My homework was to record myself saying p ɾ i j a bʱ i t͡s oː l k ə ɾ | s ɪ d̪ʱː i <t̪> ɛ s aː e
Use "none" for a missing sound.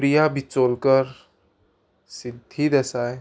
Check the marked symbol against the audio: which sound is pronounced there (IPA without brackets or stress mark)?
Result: d̪